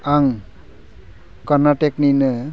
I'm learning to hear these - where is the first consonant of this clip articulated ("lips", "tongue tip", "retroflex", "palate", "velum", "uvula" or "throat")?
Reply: velum